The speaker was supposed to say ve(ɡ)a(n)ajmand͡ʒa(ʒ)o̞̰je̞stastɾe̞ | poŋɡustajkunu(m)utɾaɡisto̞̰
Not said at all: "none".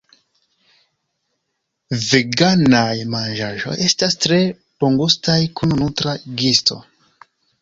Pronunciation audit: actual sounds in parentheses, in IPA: ɡ, n, ʒ, n

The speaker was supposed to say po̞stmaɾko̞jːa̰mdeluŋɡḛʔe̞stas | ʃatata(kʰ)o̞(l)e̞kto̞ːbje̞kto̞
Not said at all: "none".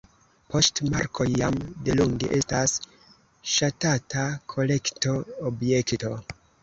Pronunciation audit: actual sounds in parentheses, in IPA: kʰ, l

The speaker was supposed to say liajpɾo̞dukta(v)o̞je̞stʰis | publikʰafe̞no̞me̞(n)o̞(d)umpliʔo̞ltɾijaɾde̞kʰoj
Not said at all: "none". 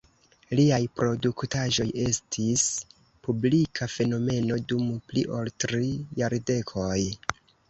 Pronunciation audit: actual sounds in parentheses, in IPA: ʒ, n, d

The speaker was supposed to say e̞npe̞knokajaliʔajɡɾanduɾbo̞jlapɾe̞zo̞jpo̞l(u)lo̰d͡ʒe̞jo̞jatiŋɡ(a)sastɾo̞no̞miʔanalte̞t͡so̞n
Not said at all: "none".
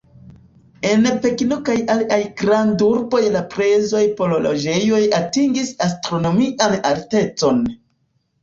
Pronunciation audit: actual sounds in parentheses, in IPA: o, i

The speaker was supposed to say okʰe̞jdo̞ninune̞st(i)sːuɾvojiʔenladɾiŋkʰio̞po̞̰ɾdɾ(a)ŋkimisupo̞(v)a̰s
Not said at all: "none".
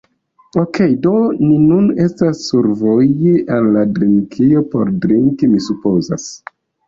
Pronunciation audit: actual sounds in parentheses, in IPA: a, i, z

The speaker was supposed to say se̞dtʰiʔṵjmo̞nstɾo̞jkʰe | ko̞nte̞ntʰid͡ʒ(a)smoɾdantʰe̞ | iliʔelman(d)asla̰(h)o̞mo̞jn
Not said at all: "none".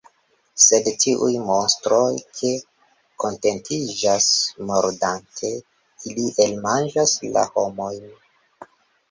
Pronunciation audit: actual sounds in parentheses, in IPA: a, d͡ʒ, h

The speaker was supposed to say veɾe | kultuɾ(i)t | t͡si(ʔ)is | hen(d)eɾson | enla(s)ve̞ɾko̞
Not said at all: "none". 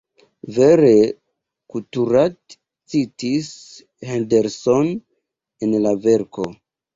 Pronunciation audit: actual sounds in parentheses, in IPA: a, t, d, none

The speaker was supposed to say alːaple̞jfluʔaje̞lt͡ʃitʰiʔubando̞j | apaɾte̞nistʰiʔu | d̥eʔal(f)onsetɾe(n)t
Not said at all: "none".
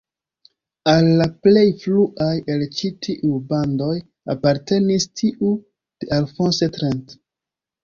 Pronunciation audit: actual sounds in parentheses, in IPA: f, n

